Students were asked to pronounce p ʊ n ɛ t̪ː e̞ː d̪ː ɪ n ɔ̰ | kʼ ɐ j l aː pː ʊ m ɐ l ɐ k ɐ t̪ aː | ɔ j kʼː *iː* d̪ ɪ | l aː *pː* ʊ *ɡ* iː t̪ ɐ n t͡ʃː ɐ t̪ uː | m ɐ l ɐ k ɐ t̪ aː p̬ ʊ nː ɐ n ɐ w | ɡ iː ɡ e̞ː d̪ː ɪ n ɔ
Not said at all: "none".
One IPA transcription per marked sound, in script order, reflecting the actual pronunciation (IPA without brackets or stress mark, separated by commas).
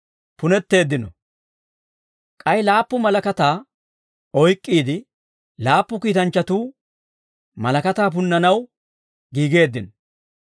iː, pː, k